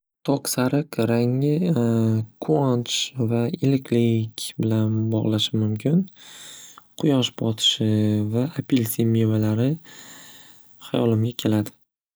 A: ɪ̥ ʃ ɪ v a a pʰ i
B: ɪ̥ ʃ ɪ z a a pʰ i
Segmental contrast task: A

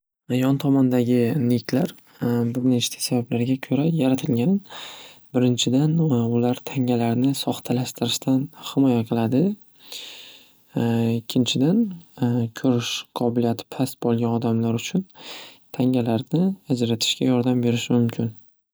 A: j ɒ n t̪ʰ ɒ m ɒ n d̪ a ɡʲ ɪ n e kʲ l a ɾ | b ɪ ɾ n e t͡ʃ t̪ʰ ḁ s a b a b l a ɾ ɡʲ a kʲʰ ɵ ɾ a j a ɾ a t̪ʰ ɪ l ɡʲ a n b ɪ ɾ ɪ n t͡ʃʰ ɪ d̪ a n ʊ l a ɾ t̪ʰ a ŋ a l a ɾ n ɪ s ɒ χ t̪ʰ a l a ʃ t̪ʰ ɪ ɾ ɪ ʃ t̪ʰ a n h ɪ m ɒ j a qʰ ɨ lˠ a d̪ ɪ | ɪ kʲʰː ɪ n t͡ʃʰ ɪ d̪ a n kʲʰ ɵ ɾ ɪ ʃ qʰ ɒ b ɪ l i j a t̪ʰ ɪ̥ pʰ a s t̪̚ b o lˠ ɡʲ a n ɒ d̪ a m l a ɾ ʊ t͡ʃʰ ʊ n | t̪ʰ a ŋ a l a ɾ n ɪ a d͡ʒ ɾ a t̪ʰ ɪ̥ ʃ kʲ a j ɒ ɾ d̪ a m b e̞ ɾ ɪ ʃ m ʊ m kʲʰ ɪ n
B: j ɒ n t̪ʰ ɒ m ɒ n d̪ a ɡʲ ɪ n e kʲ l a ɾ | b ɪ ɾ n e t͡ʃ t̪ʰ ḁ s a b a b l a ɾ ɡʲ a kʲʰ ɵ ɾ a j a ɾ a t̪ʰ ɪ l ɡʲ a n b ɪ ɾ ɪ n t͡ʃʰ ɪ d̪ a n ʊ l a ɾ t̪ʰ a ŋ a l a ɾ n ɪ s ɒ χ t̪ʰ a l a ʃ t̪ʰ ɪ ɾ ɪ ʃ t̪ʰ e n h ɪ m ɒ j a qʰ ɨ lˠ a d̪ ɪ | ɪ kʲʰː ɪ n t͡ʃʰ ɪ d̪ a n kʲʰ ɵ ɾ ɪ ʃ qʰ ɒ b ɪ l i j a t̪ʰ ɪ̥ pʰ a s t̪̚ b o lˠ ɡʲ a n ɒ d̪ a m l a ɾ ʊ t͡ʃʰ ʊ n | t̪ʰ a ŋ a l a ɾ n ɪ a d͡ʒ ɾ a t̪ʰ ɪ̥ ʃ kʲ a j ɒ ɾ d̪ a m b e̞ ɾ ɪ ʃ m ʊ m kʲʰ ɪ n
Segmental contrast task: A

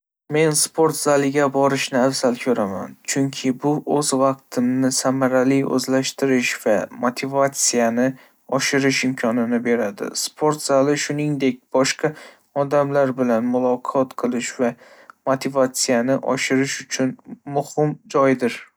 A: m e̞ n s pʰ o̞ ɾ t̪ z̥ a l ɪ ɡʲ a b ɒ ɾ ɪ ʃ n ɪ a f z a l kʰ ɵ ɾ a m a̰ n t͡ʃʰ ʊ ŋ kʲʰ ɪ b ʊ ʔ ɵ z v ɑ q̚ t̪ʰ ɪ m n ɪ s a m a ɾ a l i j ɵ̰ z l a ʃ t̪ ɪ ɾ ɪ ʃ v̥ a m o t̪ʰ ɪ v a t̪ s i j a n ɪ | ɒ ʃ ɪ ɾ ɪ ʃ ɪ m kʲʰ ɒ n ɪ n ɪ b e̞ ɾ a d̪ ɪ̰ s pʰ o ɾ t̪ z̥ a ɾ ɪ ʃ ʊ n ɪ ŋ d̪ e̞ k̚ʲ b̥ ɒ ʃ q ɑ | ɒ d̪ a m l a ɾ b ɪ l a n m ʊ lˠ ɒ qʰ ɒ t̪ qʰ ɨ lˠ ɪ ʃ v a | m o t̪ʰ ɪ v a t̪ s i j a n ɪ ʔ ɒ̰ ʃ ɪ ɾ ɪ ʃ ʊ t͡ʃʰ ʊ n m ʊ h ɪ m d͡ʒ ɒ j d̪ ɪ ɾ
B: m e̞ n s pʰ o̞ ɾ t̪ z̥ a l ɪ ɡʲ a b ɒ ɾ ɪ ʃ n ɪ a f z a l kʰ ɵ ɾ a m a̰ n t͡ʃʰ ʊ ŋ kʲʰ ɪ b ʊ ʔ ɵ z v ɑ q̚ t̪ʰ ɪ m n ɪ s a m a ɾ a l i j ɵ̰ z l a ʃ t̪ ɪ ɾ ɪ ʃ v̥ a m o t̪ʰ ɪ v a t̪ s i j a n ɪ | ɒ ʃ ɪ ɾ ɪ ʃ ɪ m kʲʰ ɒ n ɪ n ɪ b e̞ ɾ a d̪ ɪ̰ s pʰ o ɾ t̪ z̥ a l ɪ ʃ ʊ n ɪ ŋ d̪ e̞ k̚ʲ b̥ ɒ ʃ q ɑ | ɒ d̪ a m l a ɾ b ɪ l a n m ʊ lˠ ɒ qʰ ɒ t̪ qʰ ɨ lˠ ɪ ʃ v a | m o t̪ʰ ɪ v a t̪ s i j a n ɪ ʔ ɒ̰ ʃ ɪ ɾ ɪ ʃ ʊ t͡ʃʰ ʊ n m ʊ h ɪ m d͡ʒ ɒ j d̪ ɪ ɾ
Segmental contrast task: B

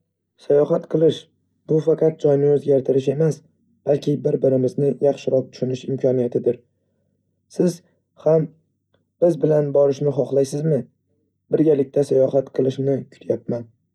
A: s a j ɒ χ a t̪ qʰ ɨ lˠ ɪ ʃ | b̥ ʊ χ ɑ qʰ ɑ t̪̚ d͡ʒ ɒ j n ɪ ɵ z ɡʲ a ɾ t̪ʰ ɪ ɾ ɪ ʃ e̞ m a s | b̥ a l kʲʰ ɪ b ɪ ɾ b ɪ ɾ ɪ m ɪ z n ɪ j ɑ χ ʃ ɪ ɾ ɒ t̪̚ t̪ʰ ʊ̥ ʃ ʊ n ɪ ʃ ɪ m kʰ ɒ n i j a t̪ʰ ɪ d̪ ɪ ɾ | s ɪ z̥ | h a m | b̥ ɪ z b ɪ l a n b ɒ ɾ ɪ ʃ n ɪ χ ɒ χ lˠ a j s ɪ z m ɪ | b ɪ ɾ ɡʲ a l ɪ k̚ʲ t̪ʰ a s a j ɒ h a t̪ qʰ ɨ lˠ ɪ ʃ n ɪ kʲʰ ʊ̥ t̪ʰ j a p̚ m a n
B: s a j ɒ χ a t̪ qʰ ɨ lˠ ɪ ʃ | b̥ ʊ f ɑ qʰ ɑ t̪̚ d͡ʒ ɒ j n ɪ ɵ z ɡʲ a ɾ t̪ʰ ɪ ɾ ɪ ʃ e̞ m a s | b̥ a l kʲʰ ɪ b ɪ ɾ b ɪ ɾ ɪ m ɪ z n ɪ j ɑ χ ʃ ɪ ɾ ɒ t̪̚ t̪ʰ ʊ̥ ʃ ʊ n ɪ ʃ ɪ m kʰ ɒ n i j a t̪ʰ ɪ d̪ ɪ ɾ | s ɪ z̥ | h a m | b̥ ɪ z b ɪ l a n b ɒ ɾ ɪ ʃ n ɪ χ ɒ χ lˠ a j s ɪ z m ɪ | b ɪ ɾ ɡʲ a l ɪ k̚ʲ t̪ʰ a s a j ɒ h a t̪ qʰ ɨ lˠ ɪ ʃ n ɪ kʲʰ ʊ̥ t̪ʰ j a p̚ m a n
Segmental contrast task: B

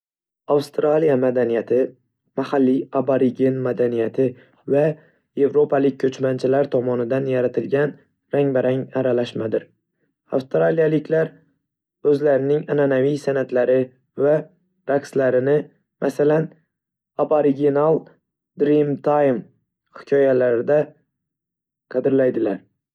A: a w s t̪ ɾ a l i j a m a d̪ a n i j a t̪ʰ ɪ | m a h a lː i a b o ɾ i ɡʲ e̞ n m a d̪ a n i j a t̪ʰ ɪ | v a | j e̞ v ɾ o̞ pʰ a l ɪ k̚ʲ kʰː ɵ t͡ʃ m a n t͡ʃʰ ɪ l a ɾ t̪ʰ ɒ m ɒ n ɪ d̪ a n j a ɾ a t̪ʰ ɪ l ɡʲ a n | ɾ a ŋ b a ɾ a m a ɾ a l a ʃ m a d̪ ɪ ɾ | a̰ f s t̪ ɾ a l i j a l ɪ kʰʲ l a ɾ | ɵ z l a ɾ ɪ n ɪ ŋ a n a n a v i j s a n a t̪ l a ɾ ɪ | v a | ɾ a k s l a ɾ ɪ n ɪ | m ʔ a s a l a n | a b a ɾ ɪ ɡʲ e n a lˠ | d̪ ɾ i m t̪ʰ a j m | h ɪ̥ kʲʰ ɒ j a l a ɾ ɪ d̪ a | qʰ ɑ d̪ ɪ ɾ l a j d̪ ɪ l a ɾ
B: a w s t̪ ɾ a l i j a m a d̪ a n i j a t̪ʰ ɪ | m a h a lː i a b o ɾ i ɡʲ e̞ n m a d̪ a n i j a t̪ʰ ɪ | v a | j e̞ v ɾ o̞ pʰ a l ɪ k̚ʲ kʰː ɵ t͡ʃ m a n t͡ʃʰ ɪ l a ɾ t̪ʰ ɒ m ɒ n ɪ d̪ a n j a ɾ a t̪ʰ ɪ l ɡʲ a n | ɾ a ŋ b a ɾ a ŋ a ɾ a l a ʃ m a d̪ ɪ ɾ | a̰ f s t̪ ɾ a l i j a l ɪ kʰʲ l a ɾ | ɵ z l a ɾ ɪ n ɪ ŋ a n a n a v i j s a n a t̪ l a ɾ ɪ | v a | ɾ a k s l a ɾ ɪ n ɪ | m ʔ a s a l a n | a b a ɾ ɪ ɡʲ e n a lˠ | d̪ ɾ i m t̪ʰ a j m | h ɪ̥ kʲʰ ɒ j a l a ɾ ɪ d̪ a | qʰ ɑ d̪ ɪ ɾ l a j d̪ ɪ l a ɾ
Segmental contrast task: B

